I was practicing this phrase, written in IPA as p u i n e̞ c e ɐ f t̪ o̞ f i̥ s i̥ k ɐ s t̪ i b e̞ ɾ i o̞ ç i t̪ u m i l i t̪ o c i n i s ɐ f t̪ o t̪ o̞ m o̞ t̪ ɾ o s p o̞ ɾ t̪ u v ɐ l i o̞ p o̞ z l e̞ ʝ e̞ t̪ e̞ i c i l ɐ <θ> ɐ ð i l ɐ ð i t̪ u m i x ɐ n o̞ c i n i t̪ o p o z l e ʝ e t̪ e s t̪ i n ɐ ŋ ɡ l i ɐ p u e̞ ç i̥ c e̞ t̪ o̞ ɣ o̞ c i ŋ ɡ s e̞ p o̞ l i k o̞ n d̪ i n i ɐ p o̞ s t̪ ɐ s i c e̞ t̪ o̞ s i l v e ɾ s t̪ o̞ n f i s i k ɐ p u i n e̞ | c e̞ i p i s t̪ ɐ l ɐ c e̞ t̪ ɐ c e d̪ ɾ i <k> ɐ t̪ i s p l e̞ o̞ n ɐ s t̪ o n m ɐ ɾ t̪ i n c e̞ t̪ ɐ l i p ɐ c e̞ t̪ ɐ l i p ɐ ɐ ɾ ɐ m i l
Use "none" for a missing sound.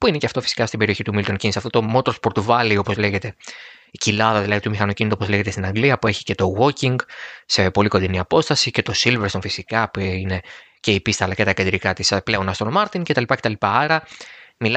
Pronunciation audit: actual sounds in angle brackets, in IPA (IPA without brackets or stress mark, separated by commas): ð, k